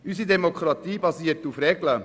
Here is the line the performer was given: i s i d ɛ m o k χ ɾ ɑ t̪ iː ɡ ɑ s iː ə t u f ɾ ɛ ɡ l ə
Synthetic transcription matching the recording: y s i d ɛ m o k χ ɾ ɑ t̪ iː b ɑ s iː ə t u f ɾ ɛ ɡ l ə